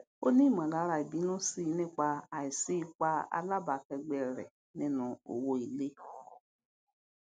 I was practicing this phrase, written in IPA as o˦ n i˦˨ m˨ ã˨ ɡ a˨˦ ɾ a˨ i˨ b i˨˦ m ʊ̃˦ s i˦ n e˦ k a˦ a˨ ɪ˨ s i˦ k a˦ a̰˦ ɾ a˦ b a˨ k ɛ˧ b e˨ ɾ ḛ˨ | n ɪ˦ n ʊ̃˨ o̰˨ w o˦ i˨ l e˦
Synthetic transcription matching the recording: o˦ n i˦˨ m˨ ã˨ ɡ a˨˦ ɾ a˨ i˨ b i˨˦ n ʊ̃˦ s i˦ n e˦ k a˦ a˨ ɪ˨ s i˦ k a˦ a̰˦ l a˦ b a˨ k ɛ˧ ɡ͡b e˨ ɾ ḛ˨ | n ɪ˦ n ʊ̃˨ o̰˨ w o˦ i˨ l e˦